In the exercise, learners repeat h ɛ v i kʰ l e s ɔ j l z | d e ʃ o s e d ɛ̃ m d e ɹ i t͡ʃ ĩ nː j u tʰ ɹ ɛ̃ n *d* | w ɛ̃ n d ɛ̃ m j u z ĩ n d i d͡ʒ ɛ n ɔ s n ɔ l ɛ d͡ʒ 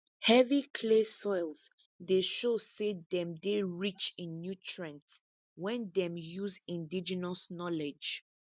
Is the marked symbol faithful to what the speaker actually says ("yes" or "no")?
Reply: no